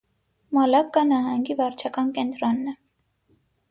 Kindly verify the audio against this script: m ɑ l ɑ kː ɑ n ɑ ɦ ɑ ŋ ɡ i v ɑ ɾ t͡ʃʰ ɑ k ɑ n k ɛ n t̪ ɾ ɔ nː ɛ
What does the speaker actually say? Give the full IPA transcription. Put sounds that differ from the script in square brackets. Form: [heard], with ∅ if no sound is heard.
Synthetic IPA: m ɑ l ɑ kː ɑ n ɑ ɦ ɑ ŋ ɡ i v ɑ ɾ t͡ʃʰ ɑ k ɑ n k ɛ n t̪ ɾ ɔ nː ɛ

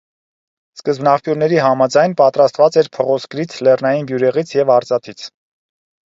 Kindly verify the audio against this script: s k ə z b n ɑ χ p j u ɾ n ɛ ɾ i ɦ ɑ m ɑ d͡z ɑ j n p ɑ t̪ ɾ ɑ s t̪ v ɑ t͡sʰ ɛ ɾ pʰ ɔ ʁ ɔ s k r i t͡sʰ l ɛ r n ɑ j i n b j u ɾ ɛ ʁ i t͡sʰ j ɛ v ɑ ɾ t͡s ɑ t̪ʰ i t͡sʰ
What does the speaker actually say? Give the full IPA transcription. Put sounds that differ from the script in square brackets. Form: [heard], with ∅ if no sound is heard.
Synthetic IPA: s k ə z b n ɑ χ p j u ɾ n ɛ ɾ i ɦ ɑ m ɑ d͡z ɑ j n p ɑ t̪ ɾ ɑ s t̪ v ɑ [t͡s] ɛ ɾ pʰ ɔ ʁ ɔ s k [ɾ] i t͡sʰ l ɛ r n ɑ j i n b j u ɾ ɛ ʁ i t͡sʰ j ɛ v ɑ ɾ t͡s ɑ t̪ʰ i t͡sʰ

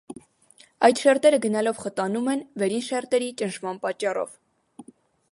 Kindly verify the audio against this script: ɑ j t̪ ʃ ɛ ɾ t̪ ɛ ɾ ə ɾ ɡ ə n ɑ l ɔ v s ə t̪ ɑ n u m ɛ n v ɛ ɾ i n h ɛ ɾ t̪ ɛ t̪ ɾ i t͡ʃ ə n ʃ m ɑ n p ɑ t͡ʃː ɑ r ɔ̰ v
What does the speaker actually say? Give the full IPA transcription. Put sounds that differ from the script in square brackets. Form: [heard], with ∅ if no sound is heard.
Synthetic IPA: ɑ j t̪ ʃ ɛ ɾ t̪ ɛ ɾ ə [∅] ɡ ə n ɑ l ɔ v [χ] ə t̪ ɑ n u m ɛ n v ɛ ɾ i n [ʃ] ɛ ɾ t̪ ɛ [∅] ɾ i t͡ʃ ə n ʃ m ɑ n p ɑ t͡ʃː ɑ r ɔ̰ v

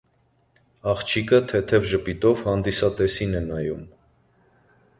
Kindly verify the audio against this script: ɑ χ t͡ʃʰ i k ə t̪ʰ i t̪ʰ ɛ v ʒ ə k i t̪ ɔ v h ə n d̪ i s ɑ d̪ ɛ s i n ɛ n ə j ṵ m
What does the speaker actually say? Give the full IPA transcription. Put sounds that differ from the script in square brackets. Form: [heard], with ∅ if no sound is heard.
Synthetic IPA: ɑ χ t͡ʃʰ i k ə t̪ʰ [ɛ] t̪ʰ ɛ v ʒ ə [p] i t̪ ɔ v h [ɑ] n d̪ i s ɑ [t̪] ɛ s i n ɛ n [ɑ] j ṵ m

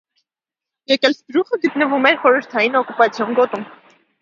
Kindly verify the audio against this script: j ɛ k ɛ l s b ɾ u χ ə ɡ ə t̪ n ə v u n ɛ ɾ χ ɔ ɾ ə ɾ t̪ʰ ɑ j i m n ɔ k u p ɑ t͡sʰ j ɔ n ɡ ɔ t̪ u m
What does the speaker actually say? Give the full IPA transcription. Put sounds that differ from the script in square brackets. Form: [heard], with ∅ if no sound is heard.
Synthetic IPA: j ɛ k ɛ l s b ɾ u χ ə ɡ ə t̪ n ə v u [m] ɛ ɾ χ ɔ ɾ ə ɾ t̪ʰ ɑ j i [∅] n ɔ k u p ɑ t͡sʰ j ɔ n ɡ ɔ t̪ u m

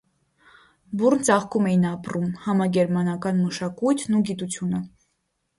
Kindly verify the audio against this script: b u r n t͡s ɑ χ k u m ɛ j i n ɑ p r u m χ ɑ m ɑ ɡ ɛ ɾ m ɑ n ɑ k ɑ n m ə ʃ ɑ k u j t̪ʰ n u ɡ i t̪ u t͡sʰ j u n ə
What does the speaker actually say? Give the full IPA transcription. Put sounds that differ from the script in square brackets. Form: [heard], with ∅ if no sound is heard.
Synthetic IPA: b u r n t͡s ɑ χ k u m ɛ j i n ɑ p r u m [h] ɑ m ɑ ɡ ɛ ɾ m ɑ n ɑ k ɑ n m ə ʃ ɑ k u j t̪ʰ n u ɡ i t̪ u t͡sʰ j u n ə

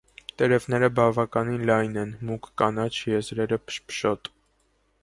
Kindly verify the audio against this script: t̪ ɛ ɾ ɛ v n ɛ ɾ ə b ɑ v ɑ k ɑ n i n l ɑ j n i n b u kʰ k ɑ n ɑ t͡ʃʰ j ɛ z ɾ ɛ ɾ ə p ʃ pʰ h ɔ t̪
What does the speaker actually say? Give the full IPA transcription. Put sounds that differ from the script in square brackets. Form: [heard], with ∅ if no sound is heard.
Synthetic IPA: t̪ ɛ ɾ ɛ v n ɛ ɾ ə b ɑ v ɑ k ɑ n i n l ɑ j n [ɛ] n [m] u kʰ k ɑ n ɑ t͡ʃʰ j ɛ z ɾ ɛ ɾ ə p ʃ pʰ [ʃ] ɔ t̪

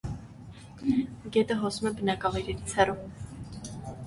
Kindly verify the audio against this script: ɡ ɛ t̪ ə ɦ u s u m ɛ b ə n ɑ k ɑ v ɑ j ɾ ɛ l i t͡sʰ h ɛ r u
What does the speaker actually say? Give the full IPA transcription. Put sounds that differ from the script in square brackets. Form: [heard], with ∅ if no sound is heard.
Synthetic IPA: ɡ ɛ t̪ ə ɦ [ɔ] s u m ɛ b ə n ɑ k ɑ v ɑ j ɾ ɛ [ɾ] i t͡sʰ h ɛ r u

